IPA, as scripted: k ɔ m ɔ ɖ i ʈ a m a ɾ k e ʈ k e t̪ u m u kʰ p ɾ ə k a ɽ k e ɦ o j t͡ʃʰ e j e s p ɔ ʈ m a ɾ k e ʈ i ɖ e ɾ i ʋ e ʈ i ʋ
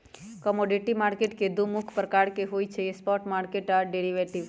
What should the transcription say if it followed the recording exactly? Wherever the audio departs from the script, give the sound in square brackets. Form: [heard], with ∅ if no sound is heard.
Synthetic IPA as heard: k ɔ m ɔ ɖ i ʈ [i] m a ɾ k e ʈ k e [d̪] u m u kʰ p ɾ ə k a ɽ k e ɦ o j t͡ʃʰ e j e s p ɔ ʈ m a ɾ k e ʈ [a] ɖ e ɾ i ʋ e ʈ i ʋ